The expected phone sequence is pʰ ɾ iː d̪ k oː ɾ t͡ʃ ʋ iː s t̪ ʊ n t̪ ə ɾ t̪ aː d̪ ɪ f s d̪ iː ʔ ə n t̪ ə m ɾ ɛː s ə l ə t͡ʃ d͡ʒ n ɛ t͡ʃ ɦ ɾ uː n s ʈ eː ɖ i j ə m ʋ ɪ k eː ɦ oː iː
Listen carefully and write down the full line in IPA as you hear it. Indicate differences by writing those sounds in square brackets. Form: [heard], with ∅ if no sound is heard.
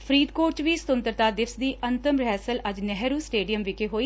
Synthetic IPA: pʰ ɾ iː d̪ k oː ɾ t͡ʃ ʋ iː s t̪ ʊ n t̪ ə ɾ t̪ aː d̪ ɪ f s d̪ iː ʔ ə n t̪ ə m ɾ ɛː s ə l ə [∅] d͡ʒ n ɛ [∅] ɦ ɾ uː [∅] s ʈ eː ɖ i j ə m ʋ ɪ k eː ɦ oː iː